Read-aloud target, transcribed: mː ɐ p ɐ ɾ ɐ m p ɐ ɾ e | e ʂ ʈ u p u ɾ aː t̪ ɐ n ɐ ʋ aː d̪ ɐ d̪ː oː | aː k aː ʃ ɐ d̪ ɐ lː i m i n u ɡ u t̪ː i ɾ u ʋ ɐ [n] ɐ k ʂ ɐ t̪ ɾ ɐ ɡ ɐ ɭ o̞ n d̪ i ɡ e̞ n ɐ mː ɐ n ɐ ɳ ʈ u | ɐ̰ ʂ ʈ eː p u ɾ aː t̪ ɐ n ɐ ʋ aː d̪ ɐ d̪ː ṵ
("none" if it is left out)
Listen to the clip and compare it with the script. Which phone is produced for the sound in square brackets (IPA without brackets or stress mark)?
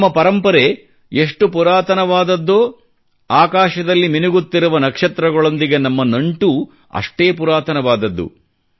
n